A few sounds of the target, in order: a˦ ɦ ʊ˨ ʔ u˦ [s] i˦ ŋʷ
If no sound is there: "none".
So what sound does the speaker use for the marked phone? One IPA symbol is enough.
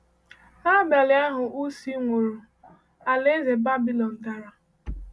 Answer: s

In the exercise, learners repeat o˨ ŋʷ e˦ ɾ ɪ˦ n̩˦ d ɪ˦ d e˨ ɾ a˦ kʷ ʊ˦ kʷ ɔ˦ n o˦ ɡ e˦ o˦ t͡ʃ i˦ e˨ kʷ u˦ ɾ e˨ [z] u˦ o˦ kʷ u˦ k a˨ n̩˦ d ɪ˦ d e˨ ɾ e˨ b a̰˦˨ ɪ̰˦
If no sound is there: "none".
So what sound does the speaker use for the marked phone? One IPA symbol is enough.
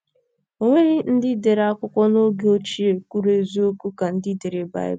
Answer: z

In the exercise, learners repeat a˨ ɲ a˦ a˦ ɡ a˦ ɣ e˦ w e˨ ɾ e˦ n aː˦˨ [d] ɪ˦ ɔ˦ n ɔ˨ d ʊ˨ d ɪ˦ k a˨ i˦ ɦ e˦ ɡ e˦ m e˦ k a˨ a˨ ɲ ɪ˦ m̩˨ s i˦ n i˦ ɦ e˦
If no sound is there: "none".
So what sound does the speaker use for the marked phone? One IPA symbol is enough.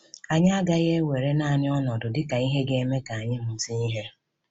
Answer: n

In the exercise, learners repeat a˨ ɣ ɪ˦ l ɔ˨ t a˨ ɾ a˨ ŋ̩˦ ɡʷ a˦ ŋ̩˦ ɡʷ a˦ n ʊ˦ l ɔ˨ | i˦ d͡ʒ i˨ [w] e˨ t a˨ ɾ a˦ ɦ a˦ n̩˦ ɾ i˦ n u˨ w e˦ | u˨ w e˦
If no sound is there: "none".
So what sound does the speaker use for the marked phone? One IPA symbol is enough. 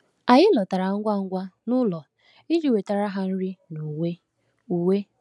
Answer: w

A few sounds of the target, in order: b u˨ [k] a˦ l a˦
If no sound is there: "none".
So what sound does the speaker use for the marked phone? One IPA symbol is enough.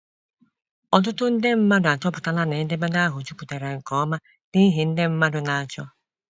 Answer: t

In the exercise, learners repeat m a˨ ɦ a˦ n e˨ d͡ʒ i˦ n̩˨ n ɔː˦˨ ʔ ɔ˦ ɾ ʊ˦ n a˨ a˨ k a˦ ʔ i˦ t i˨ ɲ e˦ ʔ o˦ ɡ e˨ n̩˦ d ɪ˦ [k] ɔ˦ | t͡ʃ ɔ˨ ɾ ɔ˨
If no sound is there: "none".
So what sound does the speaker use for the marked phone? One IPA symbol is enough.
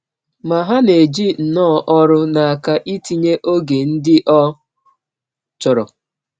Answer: ʔ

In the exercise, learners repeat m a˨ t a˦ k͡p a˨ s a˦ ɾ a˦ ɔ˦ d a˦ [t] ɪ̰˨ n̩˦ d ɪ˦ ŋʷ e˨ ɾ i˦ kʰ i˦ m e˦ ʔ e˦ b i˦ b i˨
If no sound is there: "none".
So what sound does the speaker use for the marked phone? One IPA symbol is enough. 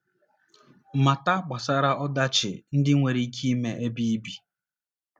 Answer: t͡ʃ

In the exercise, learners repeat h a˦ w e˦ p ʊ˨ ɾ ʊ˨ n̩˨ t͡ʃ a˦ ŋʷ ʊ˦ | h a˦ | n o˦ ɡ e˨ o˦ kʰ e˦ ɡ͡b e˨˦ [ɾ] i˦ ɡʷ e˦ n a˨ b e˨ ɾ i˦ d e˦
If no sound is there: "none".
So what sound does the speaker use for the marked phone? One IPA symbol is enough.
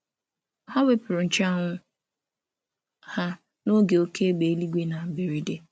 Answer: l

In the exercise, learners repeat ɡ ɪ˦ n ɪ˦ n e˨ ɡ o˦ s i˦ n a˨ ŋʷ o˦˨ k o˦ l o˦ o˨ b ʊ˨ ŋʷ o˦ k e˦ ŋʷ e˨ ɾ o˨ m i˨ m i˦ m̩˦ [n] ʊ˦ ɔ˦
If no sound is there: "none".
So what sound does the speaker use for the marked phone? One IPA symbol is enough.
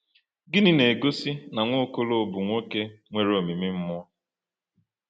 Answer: m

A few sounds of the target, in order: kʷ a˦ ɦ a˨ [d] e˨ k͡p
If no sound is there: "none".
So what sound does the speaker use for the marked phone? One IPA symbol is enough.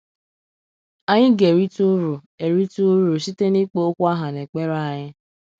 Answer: n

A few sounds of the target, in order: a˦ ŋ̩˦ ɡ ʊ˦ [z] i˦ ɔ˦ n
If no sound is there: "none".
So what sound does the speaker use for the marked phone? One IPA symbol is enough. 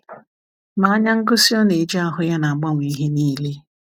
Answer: s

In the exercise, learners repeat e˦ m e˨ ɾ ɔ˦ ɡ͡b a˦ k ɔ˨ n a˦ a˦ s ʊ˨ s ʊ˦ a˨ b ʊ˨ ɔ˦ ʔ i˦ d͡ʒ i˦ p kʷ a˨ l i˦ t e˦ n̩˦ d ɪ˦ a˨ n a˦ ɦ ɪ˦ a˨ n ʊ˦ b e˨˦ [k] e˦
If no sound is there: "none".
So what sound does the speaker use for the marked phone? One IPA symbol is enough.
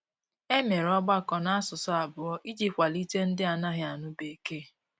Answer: k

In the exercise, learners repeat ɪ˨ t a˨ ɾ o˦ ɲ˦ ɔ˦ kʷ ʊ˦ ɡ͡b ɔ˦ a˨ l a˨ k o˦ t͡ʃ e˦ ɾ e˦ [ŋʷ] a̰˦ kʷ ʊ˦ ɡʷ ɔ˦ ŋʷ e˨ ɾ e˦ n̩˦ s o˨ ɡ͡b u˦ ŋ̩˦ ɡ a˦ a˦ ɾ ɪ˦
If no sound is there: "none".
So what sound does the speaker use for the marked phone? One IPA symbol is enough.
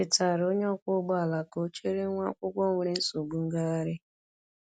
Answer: ŋʷ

